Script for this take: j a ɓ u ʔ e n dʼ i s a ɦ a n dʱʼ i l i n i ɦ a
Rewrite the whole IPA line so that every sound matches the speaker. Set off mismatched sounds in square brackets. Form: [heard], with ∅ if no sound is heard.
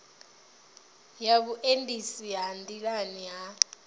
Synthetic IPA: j a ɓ u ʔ e n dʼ i s [i] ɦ a n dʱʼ i l [a] n i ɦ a